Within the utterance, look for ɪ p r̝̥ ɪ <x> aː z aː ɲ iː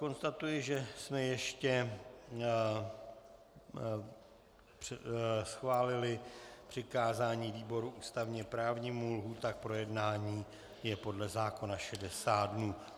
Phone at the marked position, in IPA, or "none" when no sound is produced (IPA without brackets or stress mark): k